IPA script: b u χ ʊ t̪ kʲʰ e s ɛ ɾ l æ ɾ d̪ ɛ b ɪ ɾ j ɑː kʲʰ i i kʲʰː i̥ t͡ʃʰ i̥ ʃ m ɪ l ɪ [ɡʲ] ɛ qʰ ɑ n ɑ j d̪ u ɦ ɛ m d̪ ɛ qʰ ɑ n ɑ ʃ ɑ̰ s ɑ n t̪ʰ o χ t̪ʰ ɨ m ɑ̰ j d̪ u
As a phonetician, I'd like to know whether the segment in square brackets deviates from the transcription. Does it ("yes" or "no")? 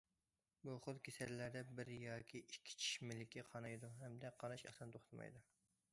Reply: yes